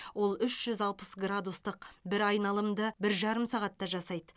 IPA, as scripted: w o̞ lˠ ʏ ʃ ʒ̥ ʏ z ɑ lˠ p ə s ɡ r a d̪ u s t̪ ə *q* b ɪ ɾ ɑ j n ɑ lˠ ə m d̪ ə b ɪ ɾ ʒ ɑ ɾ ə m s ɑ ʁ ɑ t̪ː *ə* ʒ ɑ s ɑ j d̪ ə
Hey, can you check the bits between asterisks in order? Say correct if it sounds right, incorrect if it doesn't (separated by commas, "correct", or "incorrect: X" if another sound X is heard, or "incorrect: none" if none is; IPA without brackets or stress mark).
correct, incorrect: ɑ